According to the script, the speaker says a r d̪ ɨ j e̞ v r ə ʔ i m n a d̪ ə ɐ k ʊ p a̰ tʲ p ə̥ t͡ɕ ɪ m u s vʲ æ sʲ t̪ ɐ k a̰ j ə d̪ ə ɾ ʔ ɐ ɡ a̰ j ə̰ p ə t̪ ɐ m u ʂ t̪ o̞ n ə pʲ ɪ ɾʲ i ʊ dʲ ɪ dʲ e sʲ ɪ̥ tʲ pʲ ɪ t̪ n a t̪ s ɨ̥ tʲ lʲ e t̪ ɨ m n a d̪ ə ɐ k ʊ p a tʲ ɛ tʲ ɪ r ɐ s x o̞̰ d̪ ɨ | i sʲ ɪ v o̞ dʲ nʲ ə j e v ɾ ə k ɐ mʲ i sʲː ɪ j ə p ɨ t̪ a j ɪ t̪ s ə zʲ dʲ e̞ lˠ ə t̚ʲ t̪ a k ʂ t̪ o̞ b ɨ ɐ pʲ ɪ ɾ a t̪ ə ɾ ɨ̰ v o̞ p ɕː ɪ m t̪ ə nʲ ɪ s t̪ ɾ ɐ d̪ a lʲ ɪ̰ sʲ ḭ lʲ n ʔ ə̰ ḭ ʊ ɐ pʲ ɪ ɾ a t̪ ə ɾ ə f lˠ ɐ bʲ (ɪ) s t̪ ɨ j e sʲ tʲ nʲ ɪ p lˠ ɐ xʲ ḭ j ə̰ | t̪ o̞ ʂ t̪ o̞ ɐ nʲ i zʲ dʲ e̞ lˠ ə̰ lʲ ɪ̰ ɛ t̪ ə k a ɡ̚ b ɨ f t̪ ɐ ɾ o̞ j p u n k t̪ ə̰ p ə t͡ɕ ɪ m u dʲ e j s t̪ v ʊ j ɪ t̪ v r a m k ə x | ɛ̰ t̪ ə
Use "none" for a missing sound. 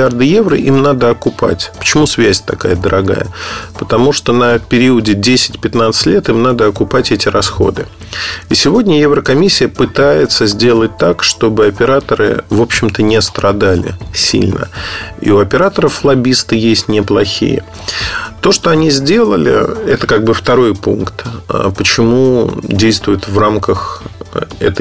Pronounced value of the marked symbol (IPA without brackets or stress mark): i